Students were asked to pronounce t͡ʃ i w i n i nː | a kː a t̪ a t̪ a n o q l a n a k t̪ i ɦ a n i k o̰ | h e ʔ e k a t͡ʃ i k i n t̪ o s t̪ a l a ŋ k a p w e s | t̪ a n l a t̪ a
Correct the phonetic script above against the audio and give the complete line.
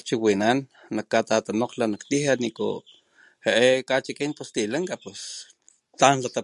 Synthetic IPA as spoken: t͡ʃ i w i n a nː | a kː a t̪ a t̪ a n o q l a n a k t̪ i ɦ a n i k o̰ | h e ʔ e k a t͡ʃ i k i n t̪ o s t̪ i l a ŋ k a p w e s | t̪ a n l a t̪ a